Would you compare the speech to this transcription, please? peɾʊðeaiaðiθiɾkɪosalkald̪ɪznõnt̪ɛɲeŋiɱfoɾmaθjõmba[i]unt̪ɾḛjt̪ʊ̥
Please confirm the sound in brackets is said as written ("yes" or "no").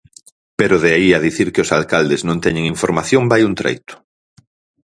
no